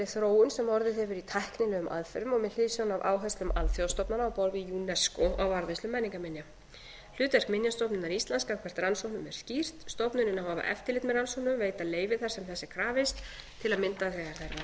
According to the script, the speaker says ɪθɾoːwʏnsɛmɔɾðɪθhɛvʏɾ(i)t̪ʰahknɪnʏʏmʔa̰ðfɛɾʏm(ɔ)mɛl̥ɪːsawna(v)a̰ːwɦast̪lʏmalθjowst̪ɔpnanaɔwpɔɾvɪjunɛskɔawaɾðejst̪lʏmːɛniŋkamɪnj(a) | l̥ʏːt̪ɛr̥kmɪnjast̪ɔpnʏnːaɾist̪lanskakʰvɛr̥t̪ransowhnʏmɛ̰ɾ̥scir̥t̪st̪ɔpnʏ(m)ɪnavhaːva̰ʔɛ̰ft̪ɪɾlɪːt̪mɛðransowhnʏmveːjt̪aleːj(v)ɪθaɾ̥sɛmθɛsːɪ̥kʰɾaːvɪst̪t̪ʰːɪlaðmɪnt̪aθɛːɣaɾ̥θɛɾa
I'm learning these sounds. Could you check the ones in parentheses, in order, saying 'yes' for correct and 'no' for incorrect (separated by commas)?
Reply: yes, yes, yes, yes, no, yes